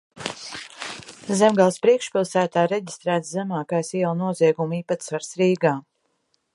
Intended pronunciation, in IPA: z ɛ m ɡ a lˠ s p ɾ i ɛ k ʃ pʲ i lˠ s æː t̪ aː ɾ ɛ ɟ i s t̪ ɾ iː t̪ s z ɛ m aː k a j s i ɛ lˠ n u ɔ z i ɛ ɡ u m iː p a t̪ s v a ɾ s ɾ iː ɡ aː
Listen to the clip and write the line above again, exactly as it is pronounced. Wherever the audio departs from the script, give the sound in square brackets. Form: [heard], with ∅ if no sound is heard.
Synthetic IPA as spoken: z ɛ m ɡ a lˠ s p ɾ i ɛ k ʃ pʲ i lˠ s æː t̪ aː ɾ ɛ ɟ i s t̪ ɾ [æː] t̪ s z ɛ m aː k a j s i ɛ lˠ n u ɔ z i ɛ ɡ u m iː p a t̪ s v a ɾ s ɾ iː ɡ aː